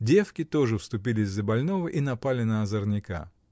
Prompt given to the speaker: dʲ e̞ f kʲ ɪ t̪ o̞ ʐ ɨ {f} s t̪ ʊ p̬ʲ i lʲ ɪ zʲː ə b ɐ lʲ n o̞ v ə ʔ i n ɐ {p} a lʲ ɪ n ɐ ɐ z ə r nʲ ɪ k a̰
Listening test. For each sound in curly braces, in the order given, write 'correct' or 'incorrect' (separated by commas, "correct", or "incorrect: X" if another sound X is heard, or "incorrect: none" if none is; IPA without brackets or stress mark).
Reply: correct, correct